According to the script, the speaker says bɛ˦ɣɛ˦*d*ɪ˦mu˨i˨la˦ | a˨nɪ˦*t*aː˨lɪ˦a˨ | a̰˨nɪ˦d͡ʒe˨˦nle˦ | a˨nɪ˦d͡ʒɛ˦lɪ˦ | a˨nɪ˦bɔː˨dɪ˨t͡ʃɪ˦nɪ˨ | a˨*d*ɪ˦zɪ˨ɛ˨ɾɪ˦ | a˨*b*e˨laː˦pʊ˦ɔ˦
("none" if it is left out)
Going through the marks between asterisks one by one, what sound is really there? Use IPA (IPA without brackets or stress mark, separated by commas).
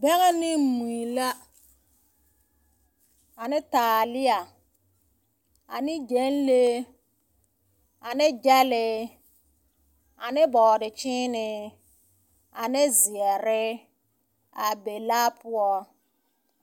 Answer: n, t, n, b